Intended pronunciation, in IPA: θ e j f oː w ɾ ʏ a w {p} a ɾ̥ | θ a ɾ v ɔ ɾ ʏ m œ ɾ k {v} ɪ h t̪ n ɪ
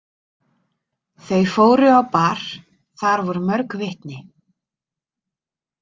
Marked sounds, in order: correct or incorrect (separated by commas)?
correct, correct